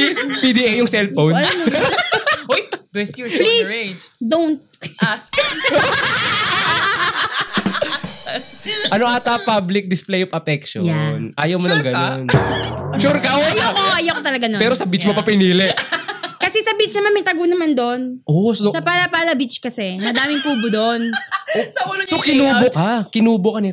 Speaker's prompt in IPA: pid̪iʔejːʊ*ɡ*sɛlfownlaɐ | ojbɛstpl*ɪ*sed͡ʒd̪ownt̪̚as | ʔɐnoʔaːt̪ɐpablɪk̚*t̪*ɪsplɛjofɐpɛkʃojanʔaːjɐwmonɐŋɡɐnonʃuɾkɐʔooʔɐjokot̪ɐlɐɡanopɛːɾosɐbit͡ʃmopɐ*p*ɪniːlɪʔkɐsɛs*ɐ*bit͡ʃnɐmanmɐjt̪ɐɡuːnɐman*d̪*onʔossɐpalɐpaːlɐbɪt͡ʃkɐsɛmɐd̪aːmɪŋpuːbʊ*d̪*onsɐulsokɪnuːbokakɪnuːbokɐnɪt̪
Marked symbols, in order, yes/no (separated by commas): no, no, no, yes, yes, yes, yes